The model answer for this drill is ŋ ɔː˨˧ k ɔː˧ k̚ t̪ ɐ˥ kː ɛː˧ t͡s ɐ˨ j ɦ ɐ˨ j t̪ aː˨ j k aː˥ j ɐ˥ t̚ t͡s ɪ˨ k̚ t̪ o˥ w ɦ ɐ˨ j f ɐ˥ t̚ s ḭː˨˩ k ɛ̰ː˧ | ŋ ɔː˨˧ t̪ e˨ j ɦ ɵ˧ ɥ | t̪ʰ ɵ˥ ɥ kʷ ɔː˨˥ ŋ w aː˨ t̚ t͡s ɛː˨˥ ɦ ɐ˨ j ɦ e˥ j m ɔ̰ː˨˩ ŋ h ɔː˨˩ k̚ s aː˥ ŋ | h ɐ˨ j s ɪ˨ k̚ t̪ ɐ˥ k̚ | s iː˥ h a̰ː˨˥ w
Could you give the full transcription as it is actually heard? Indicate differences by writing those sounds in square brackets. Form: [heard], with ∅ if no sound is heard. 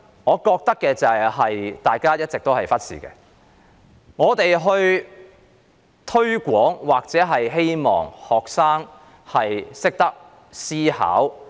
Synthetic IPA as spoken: ŋ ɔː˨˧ k ɔː˧ k̚ t̪ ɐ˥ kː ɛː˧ t͡s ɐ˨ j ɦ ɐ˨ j t̪ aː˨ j k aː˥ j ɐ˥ t̚ t͡s ɪ˨ k̚ t̪ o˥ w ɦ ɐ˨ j f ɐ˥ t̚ s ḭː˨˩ k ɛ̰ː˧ | ŋ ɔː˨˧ t̪ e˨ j ɦ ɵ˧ ɥ | t̪ʰ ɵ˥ ɥ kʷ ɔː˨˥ ŋ w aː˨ [k̚] t͡s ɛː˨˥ ɦ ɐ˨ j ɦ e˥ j m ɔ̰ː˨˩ ŋ h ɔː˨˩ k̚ s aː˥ ŋ | h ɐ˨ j s [ɪ˥] k̚ t̪ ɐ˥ k̚ | s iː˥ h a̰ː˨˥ w

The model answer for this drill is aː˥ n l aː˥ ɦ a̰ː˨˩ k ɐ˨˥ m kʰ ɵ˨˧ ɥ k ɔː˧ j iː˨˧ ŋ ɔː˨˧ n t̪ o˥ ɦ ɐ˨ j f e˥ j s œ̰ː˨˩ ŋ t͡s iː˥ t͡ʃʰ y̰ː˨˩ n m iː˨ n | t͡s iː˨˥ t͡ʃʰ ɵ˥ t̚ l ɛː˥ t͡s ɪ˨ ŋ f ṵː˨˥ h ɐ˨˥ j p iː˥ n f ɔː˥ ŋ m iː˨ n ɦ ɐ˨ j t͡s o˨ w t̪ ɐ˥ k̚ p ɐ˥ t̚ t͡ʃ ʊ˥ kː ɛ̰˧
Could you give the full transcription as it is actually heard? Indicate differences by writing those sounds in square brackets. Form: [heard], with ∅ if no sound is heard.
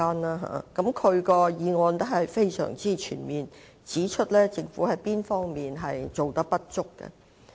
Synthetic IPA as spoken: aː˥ n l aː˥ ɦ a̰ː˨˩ k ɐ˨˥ m kʰ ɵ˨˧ ɥ k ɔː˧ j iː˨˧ ŋ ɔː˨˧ n t̪ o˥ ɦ ɐ˨ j f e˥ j s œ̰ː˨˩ ŋ t͡s iː˥ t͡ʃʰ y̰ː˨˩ n m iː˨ n | t͡s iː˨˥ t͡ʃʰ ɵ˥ t̚ l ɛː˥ t͡s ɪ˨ ŋ f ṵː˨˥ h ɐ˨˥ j p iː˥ n f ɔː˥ ŋ m iː˨ n ɦ ɐ˨ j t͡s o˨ w t̪ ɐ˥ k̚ p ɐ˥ t̚ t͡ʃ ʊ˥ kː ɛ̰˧

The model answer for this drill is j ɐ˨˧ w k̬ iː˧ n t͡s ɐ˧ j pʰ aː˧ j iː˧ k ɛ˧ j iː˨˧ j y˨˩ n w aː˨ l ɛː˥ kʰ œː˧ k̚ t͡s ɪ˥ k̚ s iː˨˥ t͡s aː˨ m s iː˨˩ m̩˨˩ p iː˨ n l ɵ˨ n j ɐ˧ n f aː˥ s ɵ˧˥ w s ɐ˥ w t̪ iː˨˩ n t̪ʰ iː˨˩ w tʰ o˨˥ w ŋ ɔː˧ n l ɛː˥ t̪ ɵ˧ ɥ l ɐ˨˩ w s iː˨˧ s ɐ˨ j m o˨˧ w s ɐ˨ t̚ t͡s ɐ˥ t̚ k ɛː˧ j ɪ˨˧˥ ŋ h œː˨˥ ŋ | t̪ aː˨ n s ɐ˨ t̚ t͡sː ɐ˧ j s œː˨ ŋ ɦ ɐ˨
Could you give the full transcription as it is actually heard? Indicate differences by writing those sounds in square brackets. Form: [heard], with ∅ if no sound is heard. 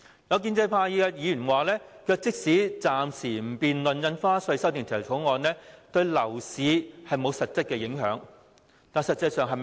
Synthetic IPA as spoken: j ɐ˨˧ w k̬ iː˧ n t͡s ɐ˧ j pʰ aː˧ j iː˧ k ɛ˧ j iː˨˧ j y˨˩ n w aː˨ l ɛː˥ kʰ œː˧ k̚ t͡s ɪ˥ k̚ s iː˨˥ t͡s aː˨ m s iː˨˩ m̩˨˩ p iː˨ n l ɵ˨ n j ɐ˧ n f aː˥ s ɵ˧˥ [∅] s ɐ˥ w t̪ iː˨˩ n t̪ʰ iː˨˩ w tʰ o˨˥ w ŋ ɔː˧ n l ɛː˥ t̪ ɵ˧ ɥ l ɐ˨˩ w s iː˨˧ [h] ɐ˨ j m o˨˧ w s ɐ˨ t̚ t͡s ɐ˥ t̚ k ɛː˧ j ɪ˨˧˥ ŋ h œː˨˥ ŋ | t̪ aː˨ n s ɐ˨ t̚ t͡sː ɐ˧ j s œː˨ ŋ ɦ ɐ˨

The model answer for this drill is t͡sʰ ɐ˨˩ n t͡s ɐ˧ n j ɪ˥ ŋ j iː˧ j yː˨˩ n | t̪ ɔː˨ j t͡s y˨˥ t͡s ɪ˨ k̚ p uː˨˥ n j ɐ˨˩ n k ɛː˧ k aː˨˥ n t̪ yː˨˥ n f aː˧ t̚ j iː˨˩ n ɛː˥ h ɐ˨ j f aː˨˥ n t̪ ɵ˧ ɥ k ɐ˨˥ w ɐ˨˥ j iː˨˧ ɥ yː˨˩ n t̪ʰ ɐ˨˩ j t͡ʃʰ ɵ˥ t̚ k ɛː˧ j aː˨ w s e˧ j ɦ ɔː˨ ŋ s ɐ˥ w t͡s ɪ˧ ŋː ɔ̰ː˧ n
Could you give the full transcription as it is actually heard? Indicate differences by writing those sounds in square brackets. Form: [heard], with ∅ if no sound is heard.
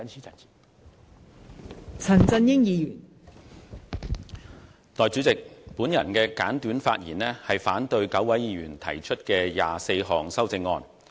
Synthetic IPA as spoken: t͡sʰ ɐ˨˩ n t͡s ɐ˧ n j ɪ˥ ŋ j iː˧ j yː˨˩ n | t̪ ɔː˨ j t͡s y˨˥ t͡s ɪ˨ k̚ p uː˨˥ n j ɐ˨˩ n k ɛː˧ k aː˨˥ n t̪ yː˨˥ n f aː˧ t̚ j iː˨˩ n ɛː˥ h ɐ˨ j f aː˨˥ n t̪ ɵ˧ ɥ k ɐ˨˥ w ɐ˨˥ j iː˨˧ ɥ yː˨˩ n t̪ʰ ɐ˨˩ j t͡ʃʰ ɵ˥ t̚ k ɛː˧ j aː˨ [∅] s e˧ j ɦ ɔː˨ ŋ s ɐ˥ w t͡s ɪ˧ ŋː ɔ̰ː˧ n

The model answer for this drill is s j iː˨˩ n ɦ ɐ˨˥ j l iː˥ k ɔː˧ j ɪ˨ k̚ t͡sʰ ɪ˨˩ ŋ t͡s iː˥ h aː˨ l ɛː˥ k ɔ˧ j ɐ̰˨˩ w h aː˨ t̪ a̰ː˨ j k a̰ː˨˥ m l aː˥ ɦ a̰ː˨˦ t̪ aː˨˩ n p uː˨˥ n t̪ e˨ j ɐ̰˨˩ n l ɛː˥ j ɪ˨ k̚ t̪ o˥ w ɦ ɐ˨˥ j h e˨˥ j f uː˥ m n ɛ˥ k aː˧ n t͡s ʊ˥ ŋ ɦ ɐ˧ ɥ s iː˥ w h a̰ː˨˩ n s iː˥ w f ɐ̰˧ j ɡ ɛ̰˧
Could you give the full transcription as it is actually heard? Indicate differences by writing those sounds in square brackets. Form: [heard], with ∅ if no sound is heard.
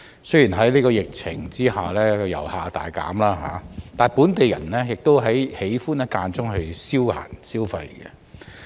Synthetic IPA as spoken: s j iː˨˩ n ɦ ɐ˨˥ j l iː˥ k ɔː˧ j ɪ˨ k̚ t͡sʰ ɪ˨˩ ŋ t͡s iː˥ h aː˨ l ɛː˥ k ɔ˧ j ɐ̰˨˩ w h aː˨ t̪ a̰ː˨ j k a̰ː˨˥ m l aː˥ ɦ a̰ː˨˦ t̪ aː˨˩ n p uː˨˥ n t̪ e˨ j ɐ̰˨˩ n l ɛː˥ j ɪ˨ k̚ t̪ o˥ w ɦ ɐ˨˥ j h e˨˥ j f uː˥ [∅] n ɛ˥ k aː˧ n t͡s ʊ˥ ŋ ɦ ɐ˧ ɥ s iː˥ w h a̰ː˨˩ n s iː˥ w f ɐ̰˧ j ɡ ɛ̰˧

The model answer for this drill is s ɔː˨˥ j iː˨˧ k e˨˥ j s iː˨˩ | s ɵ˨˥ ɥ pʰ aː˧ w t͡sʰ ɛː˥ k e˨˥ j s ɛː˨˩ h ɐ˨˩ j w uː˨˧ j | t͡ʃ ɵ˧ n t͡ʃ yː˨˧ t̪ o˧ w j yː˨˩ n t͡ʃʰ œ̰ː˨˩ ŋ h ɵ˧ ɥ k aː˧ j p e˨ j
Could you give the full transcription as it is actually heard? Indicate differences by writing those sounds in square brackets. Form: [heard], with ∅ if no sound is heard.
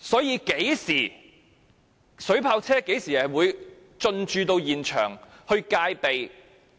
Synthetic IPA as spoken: s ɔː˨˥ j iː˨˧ k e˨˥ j s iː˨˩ | s ɵ˨˥ ɥ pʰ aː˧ w t͡sʰ ɛː˥ k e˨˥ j s [iː˨˩] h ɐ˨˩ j w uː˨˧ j | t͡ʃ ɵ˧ n t͡ʃ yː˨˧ t̪ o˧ w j [iː˨˩] n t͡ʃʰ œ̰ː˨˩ ŋ h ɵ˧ ɥ k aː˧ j p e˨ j

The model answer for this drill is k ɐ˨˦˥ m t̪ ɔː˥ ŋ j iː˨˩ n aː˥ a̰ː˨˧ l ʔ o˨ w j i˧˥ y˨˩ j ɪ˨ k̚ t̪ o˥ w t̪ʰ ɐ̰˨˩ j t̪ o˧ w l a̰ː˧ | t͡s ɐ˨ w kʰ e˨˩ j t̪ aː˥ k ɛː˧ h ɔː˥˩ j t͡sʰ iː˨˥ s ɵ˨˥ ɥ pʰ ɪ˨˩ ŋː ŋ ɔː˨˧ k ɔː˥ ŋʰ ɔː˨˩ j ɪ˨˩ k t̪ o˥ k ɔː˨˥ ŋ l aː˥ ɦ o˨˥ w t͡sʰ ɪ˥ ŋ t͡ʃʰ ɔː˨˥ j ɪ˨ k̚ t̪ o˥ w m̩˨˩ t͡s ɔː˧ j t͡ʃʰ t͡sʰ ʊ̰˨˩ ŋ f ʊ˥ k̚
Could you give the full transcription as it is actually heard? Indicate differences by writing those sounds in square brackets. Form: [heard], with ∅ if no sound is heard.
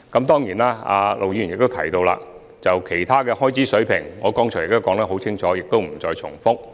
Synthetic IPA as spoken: k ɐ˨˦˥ m t̪ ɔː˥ ŋ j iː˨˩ n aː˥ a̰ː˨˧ l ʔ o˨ w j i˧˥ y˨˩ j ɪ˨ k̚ t̪ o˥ w t̪ʰ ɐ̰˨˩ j t̪ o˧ w l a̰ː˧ | t͡s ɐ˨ w kʰ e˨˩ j [t̪ʰ] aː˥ k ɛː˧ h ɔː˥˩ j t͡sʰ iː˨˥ s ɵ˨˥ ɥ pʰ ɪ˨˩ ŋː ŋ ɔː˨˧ k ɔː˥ ŋʰ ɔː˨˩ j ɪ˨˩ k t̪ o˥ k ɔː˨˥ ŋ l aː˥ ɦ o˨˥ w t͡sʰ ɪ˥ ŋ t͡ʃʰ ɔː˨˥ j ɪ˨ k̚ t̪ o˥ w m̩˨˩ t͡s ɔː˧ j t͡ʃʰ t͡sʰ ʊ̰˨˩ ŋ f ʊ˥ k̚

